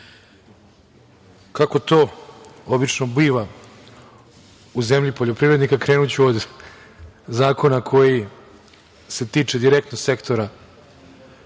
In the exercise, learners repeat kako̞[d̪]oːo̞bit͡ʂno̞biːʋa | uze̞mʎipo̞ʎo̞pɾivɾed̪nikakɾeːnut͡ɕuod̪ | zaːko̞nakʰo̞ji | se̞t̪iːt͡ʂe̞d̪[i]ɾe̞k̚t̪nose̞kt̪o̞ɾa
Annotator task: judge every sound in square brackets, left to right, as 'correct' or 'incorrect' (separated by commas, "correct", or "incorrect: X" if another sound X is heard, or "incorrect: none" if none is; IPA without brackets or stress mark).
incorrect: t̪, correct